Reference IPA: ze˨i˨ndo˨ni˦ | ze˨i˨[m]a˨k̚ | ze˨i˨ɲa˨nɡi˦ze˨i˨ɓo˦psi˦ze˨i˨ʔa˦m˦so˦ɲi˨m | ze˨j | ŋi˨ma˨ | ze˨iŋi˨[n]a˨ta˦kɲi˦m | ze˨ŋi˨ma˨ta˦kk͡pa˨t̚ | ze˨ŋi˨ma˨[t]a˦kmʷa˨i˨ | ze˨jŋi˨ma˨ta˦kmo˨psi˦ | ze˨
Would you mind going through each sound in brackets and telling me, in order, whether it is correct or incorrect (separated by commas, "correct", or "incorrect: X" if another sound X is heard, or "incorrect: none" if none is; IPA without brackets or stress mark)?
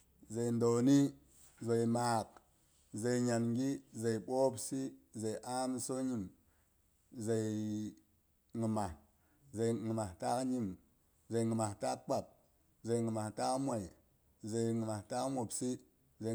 correct, incorrect: m, correct